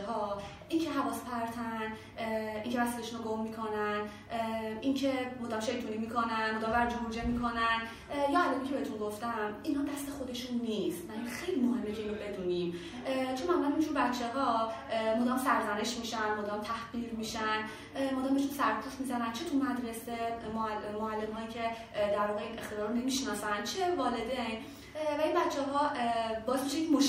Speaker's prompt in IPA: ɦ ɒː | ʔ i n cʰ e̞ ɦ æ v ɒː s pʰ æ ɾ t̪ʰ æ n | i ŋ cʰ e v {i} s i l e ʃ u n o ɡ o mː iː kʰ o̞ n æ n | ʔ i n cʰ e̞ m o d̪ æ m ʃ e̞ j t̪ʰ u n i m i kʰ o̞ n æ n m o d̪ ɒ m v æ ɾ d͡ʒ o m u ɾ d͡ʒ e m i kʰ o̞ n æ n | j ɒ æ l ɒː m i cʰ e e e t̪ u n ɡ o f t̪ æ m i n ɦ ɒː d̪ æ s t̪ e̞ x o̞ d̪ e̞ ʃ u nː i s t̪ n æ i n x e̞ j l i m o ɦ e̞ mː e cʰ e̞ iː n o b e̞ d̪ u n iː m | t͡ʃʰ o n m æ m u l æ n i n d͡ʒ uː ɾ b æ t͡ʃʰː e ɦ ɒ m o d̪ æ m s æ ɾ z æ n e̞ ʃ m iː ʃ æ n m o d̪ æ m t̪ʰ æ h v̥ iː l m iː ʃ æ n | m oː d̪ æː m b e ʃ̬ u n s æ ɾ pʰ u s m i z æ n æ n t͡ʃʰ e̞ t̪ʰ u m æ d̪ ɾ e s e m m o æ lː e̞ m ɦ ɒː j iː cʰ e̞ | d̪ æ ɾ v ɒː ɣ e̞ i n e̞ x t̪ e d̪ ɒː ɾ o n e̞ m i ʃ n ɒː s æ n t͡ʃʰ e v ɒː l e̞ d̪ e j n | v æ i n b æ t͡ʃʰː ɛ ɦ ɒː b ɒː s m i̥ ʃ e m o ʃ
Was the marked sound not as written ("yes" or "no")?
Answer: yes